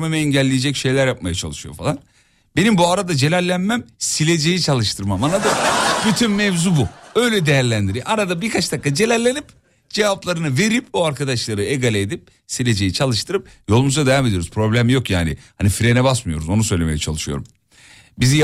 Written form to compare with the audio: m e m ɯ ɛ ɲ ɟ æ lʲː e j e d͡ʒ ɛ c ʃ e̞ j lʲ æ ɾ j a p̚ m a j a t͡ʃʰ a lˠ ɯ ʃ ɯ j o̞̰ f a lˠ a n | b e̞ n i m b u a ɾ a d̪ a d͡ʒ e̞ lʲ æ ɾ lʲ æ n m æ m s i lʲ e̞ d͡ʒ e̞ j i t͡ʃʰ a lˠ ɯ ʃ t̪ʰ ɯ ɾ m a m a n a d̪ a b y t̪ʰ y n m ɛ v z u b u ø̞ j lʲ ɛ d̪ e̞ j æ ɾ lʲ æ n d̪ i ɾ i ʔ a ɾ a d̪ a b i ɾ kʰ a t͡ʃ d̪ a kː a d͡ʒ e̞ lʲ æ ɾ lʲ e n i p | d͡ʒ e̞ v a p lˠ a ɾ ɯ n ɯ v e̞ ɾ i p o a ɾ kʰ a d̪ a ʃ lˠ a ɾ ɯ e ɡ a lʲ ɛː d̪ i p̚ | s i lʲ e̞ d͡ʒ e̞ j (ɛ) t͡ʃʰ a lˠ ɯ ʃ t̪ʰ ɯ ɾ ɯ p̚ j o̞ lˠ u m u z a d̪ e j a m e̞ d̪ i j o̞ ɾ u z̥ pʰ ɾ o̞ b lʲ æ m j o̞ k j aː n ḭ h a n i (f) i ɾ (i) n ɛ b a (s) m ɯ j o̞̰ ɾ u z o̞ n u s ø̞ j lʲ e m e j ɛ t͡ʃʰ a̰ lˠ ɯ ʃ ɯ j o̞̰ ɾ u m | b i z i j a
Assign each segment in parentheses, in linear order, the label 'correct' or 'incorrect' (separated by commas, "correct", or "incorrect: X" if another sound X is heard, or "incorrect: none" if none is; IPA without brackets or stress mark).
incorrect: i, correct, incorrect: e, correct